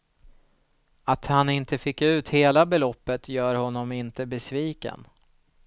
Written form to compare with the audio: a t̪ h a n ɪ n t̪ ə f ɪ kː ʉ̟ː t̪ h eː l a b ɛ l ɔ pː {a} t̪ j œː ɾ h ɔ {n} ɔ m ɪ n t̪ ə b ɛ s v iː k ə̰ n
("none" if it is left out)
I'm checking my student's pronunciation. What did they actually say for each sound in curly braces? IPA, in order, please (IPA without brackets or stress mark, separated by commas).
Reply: ə, nː